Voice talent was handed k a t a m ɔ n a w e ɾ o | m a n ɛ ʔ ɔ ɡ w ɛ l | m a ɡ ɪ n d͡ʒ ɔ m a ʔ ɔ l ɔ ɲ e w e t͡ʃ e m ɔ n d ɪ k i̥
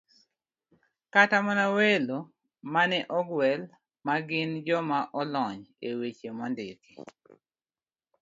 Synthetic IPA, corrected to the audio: k a t a m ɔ n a w e l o | m a n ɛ ʔ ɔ ɡ w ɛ l | m a ɡ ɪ n d͡ʒ ɔ m a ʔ ɔ l ɔ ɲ e w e t͡ʃ e m ɔ n d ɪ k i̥